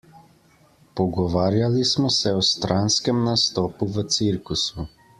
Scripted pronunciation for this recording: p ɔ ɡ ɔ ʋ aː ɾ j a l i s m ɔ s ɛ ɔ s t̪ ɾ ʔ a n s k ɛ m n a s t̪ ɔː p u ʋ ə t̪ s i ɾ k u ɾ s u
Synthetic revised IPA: p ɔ ɡ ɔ ʋ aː ɾ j a l i s m ɔ s ɛ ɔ s t̪ ɾ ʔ a n s k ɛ m n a s t̪ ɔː p u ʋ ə t̪ s i ɾ k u s u